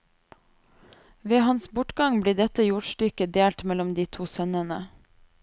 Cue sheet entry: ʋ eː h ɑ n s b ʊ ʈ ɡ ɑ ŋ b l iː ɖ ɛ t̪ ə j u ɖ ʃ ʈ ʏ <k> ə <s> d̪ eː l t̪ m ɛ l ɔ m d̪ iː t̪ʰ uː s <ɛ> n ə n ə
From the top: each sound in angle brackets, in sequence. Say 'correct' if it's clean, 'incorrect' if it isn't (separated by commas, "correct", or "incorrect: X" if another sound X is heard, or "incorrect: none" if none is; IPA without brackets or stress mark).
correct, incorrect: none, incorrect: œ